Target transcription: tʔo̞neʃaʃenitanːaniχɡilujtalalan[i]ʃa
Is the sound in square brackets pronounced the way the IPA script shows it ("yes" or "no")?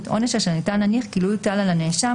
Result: no